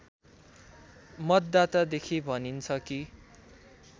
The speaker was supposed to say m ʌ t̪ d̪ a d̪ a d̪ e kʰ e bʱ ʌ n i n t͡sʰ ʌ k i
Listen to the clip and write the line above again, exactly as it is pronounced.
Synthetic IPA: m ʌ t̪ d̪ a t̪ a d̪ e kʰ i bʱ ʌ n i n t͡sʰ ʌ k i